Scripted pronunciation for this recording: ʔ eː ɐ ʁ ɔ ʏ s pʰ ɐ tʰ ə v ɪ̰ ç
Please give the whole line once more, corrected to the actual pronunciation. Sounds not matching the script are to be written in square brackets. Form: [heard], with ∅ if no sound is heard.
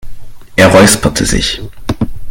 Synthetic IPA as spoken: ʔ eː ɐ ʁ ɔ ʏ s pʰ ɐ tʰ ə [z] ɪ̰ ç